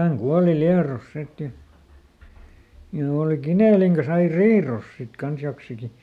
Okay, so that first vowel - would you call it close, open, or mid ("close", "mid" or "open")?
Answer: open